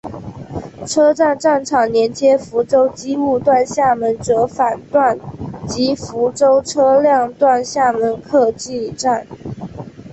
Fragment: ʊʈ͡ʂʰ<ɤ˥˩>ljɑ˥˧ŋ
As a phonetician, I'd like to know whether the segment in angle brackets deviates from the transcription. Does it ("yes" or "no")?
yes